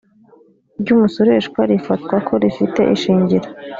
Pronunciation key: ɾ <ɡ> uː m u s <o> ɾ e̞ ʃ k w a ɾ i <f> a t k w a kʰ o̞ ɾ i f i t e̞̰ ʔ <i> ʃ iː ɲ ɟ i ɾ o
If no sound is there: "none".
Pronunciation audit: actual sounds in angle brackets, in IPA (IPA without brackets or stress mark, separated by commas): ɟ, o, f, i